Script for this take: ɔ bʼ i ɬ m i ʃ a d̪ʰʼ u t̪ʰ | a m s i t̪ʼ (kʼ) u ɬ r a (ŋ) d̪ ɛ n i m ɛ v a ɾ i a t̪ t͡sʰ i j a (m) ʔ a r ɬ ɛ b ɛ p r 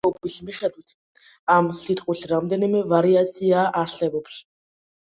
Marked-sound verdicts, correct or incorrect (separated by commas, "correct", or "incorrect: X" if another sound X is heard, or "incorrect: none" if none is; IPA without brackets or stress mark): incorrect: qʼ, incorrect: m, incorrect: none